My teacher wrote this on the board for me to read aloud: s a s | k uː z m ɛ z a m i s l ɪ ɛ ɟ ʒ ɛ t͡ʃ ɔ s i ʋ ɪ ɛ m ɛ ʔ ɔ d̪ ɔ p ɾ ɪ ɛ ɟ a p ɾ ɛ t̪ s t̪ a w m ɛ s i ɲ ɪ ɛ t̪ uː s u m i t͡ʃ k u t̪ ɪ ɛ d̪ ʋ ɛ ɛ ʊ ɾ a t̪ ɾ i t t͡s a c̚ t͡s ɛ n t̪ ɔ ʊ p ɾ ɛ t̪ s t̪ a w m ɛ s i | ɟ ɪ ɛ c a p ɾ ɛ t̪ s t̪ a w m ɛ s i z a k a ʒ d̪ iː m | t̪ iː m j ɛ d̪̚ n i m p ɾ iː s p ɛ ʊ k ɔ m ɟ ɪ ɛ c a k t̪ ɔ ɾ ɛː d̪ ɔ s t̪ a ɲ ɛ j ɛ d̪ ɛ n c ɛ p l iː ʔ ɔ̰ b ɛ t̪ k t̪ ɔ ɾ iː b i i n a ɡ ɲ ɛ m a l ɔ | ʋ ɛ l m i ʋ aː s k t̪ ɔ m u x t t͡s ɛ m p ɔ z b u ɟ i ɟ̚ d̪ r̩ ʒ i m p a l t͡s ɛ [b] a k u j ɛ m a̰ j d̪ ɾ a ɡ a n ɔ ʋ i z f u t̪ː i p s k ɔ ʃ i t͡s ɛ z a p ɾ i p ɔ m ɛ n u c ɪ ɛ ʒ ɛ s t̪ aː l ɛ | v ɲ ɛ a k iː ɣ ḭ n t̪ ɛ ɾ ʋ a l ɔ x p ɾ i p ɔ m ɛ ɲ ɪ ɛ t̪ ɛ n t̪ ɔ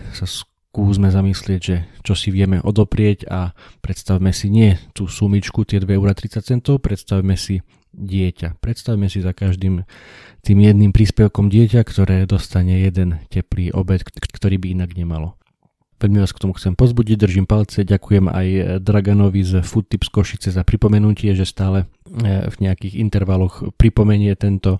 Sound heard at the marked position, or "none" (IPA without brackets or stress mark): ɟ